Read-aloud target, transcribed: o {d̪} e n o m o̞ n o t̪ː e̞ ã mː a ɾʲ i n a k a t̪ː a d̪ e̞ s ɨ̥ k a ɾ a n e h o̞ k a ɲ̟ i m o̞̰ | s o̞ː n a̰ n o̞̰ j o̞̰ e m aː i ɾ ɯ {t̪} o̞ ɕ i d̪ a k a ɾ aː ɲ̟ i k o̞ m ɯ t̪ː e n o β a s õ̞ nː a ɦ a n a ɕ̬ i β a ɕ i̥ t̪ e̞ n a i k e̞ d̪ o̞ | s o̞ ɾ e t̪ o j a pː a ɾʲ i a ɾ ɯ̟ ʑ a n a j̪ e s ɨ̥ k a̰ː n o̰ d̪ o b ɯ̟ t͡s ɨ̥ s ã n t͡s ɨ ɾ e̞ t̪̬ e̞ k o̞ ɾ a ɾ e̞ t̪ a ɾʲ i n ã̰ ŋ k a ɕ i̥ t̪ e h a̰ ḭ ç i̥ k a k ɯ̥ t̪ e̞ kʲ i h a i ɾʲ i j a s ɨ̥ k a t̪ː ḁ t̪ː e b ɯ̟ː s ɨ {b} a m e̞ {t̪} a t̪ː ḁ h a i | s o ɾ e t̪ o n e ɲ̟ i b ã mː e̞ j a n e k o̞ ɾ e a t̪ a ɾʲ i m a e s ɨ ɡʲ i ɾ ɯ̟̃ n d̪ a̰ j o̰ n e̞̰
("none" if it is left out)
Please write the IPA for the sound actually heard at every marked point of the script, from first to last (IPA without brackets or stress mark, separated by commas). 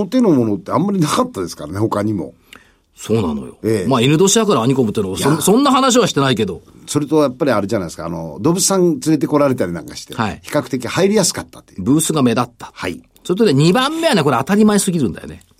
t̪, d̪, ɡ, d̪